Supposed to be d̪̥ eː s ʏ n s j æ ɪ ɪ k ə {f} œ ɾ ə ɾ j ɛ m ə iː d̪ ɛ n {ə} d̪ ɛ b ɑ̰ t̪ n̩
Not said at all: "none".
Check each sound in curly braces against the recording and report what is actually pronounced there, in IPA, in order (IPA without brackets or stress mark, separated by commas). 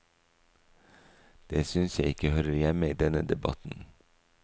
h, ə